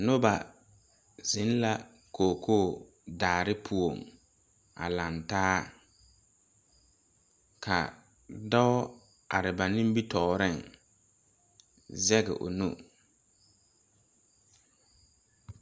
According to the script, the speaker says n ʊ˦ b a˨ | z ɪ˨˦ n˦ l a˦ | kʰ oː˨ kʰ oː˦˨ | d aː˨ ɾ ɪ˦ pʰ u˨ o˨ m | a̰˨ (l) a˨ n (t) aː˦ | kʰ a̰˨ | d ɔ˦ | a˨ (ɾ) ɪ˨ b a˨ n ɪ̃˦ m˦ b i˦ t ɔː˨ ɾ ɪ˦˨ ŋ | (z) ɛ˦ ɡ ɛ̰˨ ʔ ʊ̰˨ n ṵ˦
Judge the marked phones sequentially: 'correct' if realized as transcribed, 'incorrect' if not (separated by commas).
correct, correct, correct, correct